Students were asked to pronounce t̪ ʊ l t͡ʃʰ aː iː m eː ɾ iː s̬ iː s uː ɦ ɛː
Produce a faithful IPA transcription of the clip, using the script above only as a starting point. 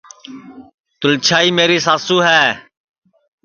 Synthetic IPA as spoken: t̪ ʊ l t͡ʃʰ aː iː m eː ɾ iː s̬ aː s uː ɦ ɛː